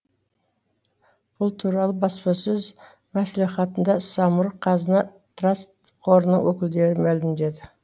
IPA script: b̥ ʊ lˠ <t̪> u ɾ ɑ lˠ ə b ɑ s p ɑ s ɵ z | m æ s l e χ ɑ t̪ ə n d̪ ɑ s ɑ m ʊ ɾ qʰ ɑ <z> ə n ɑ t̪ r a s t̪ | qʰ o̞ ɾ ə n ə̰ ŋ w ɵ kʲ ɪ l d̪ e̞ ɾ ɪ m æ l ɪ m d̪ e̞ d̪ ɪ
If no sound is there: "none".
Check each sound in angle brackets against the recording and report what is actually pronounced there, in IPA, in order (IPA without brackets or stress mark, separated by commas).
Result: t̪ʰ, z